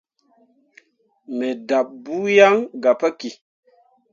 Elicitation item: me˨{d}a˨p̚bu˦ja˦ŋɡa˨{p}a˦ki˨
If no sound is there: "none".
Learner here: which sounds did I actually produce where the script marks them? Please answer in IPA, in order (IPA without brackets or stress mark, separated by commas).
d, p